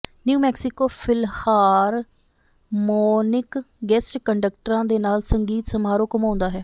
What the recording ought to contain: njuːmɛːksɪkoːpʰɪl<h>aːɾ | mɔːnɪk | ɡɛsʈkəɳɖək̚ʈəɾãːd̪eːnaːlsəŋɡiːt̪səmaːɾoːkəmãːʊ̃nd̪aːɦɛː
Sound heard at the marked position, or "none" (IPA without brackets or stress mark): h